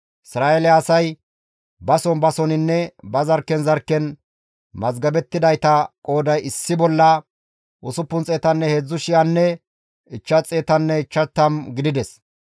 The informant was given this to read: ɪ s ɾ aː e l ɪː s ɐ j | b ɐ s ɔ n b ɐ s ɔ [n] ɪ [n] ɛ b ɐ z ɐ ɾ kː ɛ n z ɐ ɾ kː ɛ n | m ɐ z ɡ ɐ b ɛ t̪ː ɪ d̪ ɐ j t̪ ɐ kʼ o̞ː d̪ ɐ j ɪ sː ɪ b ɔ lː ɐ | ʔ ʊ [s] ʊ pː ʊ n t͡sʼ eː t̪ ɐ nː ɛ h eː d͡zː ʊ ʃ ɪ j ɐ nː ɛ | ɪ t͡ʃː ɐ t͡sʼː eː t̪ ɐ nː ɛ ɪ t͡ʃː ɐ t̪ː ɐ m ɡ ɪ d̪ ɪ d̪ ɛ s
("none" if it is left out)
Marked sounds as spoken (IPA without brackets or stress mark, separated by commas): n, nː, s